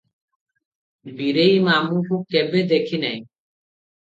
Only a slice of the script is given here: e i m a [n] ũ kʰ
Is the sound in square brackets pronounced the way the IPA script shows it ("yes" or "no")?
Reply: no